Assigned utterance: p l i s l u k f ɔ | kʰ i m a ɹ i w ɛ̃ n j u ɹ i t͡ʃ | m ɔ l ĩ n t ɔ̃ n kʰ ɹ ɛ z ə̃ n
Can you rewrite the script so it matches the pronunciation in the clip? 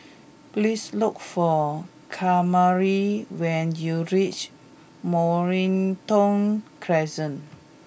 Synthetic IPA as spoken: p l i s l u k f ɔ | kʰ a m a ɹ i w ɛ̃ n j u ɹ i t͡ʃ | m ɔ ɹ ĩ n t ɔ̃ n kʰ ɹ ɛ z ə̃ n